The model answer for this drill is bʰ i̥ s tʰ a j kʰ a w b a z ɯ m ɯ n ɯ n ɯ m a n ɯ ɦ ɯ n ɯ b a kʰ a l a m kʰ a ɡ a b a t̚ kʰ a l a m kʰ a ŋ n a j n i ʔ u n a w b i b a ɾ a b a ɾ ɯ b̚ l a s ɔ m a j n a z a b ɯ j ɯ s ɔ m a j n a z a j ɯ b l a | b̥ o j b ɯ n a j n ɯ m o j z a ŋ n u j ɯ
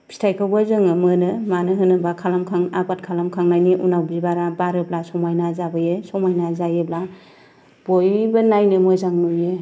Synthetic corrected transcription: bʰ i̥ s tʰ a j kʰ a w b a z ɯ ŋ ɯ m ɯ n ɯ m a n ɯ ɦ ɯ n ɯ b a kʰ a l a m kʰ a ŋ a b a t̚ kʰ a l a m kʰ a ŋ n a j n i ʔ u n a w b i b a ɾ a b a ɾ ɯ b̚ l a s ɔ m a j n a z a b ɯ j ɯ s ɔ m a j n a z a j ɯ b l a | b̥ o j b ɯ n a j n ɯ m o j z a ŋ n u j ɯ